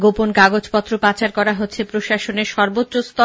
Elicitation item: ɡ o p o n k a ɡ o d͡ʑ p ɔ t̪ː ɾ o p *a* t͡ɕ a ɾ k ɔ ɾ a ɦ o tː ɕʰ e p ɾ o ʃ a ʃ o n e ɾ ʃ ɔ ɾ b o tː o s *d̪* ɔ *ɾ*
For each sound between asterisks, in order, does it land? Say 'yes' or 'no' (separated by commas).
yes, no, no